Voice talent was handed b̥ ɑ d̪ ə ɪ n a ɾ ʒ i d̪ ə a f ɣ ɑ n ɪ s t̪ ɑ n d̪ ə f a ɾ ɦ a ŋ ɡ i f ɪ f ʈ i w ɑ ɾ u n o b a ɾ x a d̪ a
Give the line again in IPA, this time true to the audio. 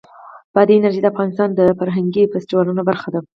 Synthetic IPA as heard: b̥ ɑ d̪ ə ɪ n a ɾ ʒ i d̪ ə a f ɣ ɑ n ɪ s t̪ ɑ n d̪ ə f a ɾ ɦ a ŋ ɡ i f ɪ s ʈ i w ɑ l u n o b a ɾ x a d̪ a